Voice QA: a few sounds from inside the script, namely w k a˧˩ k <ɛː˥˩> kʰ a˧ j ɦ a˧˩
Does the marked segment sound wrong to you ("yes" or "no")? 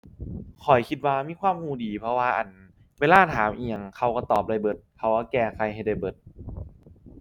yes